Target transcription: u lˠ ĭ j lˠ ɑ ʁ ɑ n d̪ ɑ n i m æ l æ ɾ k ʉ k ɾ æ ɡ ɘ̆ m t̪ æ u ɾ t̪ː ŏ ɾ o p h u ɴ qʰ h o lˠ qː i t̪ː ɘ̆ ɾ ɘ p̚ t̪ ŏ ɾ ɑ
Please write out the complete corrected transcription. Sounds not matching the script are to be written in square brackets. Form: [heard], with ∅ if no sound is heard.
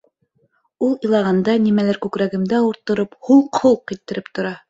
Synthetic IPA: u lˠ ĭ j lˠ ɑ ʁ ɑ n d̪ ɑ n i m æ l æ ɾ k ʉ k ɾ æ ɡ ɘ̆ m [d̪] æ u ɾ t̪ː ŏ ɾ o p h u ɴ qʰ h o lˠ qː i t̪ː ɘ̆ ɾ ɘ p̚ t̪ ŏ ɾ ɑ